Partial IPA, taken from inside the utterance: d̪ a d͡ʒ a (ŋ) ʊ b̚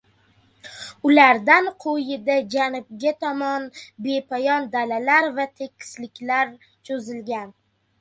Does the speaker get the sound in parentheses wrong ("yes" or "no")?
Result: yes